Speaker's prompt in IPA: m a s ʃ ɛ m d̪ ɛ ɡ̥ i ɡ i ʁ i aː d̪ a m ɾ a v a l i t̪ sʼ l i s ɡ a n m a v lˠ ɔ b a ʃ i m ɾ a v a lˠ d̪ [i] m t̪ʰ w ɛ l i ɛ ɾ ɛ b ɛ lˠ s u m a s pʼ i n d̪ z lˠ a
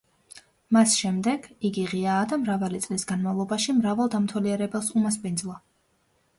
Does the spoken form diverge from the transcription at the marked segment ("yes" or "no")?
yes